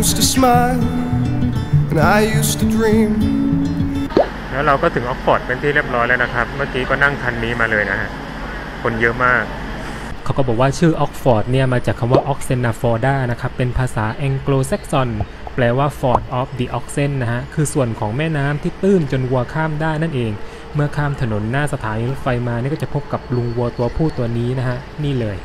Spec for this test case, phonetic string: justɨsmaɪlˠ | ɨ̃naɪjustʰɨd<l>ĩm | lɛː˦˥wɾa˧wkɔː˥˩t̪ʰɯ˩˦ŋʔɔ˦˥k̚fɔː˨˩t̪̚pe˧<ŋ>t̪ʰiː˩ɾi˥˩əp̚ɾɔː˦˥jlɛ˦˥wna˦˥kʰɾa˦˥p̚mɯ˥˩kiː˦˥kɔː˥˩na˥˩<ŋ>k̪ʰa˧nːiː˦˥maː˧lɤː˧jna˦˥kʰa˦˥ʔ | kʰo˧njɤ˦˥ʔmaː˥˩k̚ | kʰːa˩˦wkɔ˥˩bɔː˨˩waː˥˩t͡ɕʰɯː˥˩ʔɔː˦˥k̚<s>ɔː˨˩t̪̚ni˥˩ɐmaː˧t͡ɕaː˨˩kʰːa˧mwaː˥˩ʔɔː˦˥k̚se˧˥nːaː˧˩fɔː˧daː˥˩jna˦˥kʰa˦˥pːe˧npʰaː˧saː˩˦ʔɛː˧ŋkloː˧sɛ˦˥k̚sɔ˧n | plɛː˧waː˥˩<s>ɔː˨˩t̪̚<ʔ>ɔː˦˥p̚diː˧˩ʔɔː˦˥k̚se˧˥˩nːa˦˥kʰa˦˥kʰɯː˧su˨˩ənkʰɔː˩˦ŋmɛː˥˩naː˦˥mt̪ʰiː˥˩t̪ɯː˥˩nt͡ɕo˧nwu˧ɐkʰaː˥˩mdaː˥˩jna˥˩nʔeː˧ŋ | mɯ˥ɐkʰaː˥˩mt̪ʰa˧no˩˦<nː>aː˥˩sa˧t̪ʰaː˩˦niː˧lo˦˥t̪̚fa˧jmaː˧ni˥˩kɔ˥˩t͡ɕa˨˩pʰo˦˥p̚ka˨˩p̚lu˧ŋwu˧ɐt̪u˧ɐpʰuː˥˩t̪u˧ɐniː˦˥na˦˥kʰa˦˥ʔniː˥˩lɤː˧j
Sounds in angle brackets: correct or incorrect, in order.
incorrect: ɹ, incorrect: n, correct, incorrect: f, incorrect: f, correct, correct

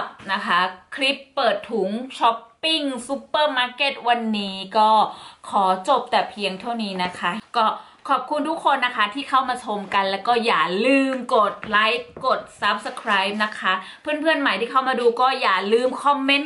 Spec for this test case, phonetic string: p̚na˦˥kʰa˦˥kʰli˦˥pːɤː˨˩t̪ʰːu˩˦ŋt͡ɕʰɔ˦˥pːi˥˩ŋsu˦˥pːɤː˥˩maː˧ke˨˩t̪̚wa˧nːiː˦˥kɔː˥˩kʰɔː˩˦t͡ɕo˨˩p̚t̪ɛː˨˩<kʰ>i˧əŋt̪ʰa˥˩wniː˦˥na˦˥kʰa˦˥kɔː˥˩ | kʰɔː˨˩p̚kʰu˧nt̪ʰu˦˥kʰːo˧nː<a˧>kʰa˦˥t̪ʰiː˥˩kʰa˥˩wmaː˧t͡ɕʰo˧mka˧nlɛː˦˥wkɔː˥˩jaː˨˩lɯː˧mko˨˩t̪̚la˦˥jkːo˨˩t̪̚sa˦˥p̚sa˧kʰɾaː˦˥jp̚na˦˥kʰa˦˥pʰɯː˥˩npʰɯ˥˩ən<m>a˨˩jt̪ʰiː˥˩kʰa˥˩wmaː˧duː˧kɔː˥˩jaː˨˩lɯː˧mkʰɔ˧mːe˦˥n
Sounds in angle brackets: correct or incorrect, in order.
incorrect: pʰ, incorrect: a˦˥, correct

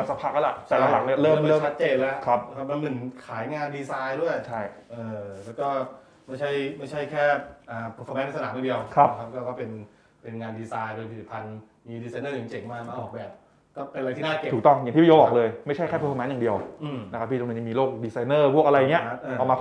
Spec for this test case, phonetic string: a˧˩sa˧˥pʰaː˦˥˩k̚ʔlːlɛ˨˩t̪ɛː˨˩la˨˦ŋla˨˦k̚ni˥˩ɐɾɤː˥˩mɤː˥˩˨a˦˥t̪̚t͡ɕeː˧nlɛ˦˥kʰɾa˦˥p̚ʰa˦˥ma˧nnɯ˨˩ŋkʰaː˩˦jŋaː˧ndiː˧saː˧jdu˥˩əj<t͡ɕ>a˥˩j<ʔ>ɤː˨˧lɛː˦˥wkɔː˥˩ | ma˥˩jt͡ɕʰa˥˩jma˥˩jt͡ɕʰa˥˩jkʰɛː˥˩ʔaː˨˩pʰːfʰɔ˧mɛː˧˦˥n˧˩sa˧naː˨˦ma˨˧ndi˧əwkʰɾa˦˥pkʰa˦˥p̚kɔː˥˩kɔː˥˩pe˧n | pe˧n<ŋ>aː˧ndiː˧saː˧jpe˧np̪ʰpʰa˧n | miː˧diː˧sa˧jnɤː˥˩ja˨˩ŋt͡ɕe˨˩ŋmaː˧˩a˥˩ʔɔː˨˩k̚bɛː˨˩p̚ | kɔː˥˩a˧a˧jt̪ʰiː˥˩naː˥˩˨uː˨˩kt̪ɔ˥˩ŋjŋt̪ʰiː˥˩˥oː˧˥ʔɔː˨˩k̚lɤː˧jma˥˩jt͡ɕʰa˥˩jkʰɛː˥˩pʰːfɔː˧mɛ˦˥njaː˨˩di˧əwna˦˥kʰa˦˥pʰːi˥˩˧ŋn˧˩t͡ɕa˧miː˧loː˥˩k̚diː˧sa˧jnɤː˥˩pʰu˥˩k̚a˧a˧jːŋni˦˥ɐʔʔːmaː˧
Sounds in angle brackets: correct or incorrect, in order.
incorrect: t͡ɕʰ, correct, correct

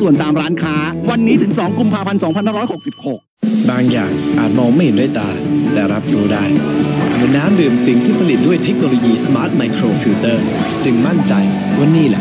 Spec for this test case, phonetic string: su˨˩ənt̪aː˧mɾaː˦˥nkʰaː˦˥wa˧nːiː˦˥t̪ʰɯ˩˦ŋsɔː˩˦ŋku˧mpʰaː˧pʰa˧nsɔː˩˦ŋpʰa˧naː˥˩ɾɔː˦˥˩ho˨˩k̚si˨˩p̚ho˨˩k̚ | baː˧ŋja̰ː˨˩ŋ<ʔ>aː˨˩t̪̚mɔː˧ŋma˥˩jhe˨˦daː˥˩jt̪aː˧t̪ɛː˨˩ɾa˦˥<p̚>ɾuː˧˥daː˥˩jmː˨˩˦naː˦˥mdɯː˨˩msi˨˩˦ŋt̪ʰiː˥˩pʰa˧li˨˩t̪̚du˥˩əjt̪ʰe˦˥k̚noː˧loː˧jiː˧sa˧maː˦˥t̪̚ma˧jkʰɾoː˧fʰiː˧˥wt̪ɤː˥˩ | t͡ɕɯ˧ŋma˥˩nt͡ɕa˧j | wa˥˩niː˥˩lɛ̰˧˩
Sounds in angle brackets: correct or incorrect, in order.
correct, correct

